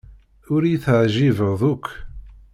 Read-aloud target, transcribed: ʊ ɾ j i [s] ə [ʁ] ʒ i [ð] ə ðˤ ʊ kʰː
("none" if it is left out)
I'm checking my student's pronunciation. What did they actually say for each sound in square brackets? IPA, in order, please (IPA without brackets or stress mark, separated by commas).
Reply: θ, ʕ, v